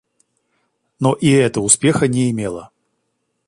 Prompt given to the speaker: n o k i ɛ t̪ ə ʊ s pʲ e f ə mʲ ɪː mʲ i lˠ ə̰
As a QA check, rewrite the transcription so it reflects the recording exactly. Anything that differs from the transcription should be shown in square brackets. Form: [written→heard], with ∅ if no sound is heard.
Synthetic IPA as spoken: n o [k→ʔ] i ɛ t̪ ə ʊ s pʲ e [f→x] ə [mʲ→nʲ] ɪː mʲ [i→e] lˠ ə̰